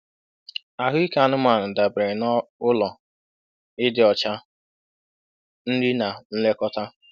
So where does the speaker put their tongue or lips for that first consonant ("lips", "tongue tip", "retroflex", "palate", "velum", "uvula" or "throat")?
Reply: throat